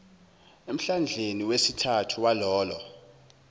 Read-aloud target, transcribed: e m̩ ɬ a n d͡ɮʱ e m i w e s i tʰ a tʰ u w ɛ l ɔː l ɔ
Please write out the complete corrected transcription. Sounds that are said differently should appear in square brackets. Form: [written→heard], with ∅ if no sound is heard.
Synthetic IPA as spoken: e m̩ ɬ a n d͡ɮʱ e [m→n] i w e s i tʰ a tʰ u w [ɛ→a] l ɔː l ɔ